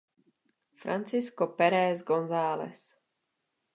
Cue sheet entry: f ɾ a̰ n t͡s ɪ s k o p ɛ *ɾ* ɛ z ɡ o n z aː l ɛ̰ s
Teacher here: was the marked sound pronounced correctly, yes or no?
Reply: yes